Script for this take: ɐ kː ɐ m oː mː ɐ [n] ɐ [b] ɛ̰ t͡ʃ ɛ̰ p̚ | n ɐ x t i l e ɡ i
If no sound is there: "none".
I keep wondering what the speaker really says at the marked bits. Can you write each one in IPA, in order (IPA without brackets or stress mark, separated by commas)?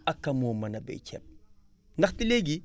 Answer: n, b